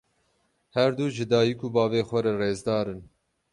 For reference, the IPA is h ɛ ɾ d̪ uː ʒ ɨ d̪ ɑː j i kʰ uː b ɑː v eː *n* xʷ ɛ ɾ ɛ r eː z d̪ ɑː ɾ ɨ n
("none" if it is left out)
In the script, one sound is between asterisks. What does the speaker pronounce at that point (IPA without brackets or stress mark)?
none